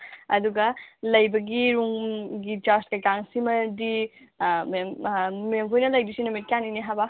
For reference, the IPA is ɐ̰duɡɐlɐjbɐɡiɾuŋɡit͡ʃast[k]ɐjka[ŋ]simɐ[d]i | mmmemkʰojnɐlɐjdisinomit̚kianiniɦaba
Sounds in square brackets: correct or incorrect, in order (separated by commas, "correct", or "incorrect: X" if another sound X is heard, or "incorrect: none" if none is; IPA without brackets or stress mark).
correct, correct, correct